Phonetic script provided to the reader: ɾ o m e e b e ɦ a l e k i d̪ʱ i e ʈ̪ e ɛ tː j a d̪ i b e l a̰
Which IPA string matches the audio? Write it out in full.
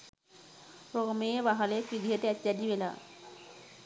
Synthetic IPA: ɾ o m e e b a ɦ a l e k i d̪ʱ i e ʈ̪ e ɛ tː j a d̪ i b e l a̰